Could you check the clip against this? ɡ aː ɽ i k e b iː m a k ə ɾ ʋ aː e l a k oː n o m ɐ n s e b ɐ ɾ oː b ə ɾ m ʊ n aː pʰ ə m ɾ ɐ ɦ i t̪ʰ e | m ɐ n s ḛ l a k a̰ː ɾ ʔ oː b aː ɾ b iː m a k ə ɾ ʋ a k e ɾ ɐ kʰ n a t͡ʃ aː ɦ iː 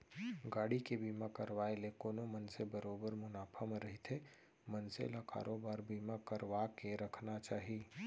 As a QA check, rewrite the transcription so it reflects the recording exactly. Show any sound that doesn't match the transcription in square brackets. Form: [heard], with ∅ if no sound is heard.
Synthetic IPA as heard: ɡ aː ɽ i k e b iː m a k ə ɾ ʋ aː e l [e] k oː n o m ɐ n s e b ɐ ɾ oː b ə ɾ m ʊ n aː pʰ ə m ɾ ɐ ɦ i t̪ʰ e | m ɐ n s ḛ l a k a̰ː ɾ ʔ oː b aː ɾ b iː m a k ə ɾ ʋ a k e ɾ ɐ kʰ n a t͡ʃ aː ɦ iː